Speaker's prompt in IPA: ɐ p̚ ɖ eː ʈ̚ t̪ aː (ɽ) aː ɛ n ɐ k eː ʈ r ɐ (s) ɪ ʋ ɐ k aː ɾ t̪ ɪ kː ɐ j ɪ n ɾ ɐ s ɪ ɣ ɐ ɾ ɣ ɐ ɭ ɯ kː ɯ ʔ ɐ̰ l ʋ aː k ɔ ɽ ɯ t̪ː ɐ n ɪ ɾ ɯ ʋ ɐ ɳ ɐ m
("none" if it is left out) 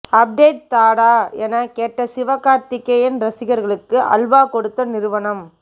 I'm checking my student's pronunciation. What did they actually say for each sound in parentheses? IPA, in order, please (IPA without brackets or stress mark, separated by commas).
ɽ, s